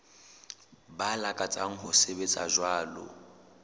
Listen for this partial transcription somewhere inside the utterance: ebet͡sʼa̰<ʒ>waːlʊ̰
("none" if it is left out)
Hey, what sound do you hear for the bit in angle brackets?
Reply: ʒ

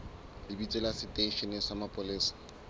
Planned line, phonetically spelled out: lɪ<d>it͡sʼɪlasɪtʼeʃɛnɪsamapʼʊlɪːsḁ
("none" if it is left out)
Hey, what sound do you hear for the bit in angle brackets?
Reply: b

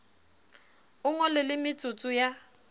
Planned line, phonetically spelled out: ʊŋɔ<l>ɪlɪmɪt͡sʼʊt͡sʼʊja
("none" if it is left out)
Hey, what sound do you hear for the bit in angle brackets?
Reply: l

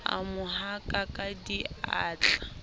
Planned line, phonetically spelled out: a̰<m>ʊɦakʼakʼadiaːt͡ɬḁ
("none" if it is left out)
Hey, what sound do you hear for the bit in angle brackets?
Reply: m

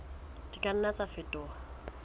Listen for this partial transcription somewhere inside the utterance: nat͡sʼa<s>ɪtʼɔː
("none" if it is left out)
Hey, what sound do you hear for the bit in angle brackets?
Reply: f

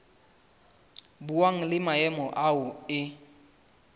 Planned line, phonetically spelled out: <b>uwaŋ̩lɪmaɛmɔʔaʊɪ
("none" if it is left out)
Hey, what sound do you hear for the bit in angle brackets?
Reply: b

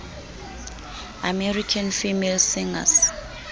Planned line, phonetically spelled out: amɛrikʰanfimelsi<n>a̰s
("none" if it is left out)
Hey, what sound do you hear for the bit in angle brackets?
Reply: ŋ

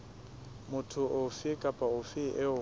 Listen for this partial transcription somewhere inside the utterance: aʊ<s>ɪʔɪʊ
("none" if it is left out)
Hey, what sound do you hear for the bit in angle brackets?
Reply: f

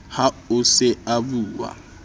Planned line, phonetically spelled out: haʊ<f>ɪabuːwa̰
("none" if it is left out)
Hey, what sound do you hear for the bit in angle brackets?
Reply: s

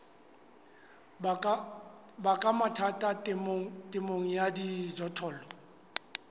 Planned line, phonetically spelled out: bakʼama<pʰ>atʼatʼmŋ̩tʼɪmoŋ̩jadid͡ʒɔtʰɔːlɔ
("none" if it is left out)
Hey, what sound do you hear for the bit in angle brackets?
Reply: tʰ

